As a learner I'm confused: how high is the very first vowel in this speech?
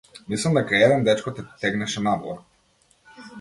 high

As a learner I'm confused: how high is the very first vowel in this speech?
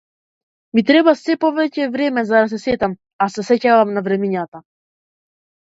high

